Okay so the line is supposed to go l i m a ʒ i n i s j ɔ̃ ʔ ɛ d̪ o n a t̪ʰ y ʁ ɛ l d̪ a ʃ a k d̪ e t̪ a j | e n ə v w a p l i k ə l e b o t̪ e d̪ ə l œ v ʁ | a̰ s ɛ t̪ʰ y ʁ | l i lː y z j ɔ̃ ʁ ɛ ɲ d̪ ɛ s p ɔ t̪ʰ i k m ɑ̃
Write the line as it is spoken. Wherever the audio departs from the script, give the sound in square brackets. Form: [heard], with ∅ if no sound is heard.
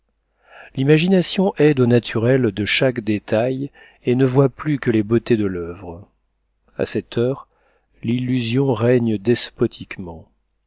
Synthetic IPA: l i m a ʒ i n [a] s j ɔ̃ ʔ ɛ d̪ o n a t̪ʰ y ʁ ɛ l d̪ [ə] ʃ a k d̪ e t̪ a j | e n ə v w a p l [y] k ə l e b o t̪ e d̪ ə l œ v ʁ | a̰ s ɛ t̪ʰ [œ] ʁ | l i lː y z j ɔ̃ ʁ ɛ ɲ d̪ ɛ s p ɔ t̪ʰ i k m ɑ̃